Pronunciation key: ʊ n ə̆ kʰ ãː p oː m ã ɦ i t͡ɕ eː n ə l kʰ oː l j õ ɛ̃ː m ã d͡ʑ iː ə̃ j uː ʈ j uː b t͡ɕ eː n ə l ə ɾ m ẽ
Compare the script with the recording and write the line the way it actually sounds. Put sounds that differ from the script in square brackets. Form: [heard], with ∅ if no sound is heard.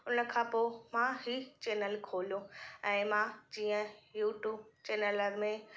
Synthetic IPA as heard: ʊ n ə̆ kʰ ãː p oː m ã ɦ i t͡ɕ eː n ə l kʰ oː l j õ ɛ̃ː m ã d͡ʑ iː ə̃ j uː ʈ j uː b t͡ɕ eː n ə l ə ɾ m ẽ

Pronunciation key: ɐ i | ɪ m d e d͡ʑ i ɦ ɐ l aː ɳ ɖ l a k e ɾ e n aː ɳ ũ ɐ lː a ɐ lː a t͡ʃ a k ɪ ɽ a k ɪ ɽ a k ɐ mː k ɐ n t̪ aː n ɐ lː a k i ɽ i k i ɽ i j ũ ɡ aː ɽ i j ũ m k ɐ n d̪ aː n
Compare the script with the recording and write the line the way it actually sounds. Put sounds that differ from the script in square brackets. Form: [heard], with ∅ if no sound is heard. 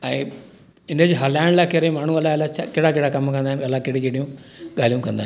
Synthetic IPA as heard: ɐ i | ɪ [n] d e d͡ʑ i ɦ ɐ l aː ɳ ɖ l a k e ɾ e [m] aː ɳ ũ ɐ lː a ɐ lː a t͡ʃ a k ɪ ɽ a k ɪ ɽ a k ɐ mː k ɐ n [d̪] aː n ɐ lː a k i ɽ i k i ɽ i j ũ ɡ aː [l] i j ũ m k ɐ n d̪ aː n

